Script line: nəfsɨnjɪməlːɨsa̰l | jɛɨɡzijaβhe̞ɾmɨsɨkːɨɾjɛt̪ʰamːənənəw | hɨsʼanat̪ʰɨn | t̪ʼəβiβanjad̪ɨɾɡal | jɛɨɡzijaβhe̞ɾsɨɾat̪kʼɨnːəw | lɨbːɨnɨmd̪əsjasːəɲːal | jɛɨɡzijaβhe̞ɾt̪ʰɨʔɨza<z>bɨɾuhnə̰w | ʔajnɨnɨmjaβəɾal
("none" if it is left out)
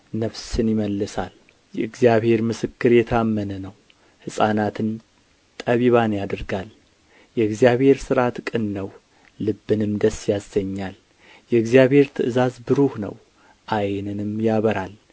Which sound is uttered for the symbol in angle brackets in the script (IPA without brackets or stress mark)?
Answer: z